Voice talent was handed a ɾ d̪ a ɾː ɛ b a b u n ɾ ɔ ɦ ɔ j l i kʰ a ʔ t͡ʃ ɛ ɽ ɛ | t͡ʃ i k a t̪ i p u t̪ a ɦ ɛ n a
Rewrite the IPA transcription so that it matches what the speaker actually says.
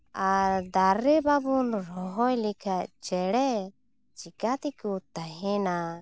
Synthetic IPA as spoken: a ɾ d̪ a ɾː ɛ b a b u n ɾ ɔ ɦ ɔ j l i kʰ a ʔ t͡ʃ ɛ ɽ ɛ | t͡ʃ i k a t̪ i k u t̪ a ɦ ɛ n a